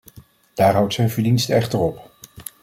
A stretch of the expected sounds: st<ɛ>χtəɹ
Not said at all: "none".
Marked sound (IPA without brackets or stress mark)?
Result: ɛ